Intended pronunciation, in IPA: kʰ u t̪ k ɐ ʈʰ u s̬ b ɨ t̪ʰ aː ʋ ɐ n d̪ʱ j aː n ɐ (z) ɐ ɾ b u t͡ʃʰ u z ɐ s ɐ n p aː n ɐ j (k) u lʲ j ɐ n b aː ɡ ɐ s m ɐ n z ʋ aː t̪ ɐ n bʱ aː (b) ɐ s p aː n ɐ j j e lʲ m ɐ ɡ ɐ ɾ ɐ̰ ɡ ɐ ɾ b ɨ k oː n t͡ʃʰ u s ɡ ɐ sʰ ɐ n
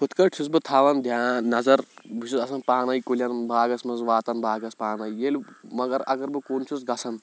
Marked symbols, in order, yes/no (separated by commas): yes, yes, no